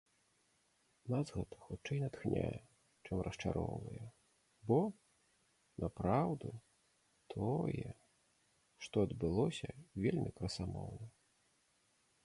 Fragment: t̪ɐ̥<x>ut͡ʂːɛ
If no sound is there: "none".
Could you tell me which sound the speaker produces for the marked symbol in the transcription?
x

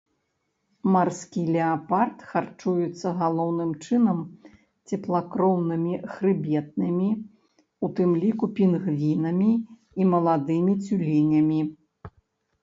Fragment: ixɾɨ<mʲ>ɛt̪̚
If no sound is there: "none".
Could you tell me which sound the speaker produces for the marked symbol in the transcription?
bʲ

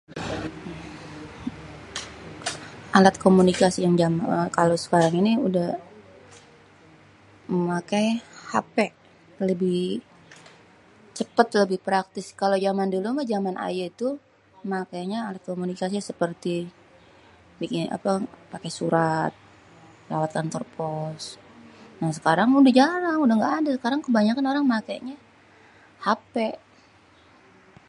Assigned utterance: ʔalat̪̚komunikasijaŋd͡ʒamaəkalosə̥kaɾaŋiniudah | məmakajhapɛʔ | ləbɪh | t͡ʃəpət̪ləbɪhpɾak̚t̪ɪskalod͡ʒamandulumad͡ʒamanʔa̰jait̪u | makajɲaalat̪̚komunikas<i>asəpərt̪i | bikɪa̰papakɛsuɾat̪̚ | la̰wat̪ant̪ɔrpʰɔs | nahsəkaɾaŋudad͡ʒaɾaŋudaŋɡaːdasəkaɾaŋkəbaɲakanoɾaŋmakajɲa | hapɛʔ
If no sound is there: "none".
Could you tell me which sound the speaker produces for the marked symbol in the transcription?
i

